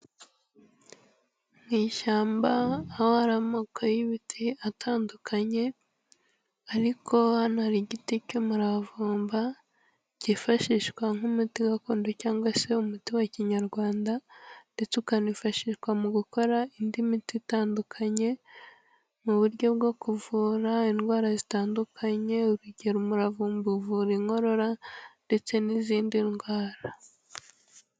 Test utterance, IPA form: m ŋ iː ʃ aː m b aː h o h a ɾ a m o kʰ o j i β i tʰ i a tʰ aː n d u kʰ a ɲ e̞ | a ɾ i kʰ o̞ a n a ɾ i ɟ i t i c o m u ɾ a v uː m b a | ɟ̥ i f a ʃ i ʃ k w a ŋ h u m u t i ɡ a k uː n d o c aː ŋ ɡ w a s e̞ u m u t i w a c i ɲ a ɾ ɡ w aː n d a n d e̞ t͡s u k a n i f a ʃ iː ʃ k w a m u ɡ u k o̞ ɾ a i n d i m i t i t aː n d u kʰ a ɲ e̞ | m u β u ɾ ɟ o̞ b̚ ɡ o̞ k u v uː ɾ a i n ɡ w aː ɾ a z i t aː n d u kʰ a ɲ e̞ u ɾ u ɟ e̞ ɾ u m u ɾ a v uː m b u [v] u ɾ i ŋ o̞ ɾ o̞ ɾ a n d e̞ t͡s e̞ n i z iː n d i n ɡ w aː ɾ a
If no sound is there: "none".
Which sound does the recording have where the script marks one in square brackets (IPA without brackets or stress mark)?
v